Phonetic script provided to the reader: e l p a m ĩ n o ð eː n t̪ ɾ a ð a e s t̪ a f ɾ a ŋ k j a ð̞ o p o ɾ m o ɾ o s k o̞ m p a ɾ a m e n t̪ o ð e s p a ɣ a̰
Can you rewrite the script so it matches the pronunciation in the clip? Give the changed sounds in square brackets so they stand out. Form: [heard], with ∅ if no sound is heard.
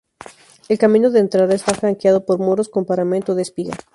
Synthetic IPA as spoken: e l [k] a m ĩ n o ð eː n t̪ ɾ a ð a e s t̪ a f ɾ a ŋ k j a ð̞ o p o ɾ m o ɾ o s k o̞ m p a ɾ a m e n t̪ o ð e s p [i] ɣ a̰